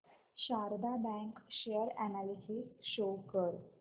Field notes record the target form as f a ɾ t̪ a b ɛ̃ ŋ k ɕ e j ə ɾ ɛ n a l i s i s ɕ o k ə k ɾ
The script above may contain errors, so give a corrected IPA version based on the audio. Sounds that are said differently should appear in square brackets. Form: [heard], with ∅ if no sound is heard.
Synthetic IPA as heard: [ɕ] a ɾ [d̪] a b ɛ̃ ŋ k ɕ e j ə ɾ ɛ n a l i s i s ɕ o k ə [∅] ɾ